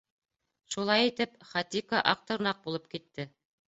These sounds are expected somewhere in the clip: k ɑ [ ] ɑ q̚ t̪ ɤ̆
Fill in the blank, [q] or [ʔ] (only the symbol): ʔ